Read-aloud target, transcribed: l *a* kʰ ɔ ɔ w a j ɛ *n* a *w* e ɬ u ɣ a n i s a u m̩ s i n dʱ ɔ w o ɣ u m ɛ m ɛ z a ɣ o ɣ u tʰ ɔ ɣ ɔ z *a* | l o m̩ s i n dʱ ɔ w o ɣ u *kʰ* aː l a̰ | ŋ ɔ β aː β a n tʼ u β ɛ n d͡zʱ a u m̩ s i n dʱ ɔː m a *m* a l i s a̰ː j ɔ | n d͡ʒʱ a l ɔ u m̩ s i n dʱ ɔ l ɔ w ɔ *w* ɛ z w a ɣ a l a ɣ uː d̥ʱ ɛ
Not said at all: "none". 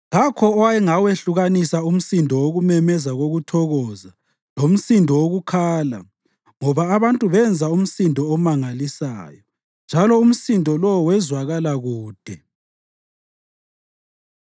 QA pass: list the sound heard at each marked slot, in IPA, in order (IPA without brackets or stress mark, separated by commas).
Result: a, ŋ, w, a, kʰ, ŋ, w